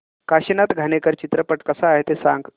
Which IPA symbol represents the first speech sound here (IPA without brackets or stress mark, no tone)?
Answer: k